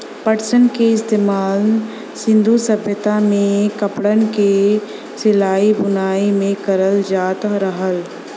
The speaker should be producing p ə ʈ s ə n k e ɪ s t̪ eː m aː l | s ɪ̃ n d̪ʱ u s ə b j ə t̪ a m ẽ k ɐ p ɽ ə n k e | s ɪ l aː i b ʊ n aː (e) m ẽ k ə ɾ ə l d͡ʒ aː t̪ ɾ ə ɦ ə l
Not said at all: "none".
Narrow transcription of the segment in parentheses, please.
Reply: i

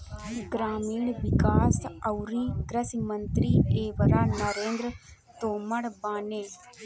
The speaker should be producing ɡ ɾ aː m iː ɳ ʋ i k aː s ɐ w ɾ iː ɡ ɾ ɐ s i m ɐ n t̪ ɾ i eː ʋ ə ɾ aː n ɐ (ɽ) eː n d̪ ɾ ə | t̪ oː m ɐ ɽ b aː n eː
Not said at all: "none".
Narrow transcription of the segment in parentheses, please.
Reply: ɾ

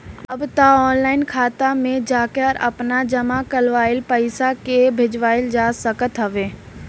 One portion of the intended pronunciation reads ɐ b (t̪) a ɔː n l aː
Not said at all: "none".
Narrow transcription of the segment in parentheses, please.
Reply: t̪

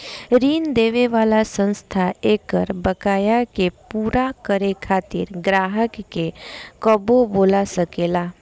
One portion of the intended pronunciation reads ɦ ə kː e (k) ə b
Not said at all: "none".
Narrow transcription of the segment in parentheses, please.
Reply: k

